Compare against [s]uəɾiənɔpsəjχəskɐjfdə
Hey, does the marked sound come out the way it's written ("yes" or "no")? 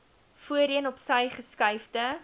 no